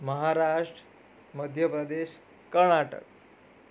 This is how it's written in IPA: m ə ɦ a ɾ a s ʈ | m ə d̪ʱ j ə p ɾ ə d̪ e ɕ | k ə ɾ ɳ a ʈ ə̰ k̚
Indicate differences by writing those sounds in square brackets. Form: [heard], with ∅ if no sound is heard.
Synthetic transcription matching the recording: m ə ɦ a ɾ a [ʂ] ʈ | m ə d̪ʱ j ə p ɾ ə d̪ e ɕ | k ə ɾ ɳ a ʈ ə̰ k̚